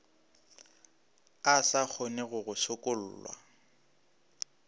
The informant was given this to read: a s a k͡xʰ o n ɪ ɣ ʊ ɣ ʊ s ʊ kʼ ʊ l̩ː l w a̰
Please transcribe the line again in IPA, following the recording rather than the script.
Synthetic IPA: a s a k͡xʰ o n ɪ ɣ ʊ ɣ ʊ s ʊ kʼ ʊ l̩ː l w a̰